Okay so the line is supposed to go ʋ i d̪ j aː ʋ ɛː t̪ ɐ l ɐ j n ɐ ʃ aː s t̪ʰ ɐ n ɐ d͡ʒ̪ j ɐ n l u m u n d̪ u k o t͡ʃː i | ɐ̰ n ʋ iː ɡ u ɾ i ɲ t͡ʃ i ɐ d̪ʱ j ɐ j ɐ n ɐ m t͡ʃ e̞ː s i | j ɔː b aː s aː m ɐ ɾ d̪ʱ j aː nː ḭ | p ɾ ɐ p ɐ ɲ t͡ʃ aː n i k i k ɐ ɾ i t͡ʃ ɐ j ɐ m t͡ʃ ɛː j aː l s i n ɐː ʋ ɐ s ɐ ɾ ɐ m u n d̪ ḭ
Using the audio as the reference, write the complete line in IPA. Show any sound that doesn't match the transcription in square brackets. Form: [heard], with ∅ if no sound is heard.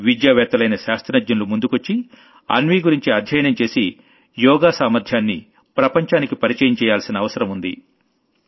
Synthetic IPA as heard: ʋ i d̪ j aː ʋ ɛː t̪ ɐ l ɐ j n ɐ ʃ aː s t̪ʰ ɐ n ɐ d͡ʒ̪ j ɐ n l u m u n d̪ u k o t͡ʃː i | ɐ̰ n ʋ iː ɡ u ɾ i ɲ t͡ʃ i ɐ d̪ʱ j ɐ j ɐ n ɐ m t͡ʃ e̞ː s i | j ɔː [ɡ] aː s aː m ɐ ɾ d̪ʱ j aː nː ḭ | p ɾ ɐ p ɐ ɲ t͡ʃ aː n i k i [p] ɐ ɾ i t͡ʃ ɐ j ɐ m t͡ʃ ɛː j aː l s i n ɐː ʋ ɐ s ɐ ɾ ɐ m u n d̪ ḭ